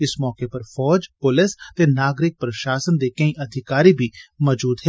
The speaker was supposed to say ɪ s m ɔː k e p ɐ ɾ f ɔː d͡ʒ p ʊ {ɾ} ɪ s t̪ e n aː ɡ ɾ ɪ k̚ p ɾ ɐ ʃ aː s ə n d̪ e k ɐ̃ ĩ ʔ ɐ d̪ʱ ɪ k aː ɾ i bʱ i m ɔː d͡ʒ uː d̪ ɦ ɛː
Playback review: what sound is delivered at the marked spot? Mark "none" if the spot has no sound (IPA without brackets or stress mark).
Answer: l